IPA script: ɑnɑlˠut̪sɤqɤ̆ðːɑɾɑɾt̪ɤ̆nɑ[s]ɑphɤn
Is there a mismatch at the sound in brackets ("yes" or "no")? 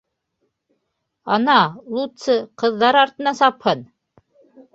no